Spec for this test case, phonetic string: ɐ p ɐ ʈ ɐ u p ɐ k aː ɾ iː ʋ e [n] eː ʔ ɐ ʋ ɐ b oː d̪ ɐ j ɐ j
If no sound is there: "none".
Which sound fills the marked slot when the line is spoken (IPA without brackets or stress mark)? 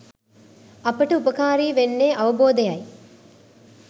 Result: nː